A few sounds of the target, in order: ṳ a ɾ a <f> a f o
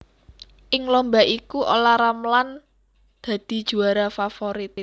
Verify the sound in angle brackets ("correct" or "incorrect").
correct